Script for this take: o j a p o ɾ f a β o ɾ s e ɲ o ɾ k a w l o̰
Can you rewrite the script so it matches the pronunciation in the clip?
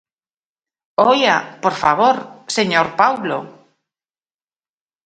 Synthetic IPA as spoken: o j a p o ɾ f a β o ɾ s e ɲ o ɾ p a w l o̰